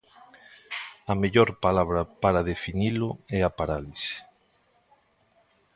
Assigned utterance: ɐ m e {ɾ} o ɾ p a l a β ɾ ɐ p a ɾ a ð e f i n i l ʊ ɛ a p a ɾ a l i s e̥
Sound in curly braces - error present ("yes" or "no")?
yes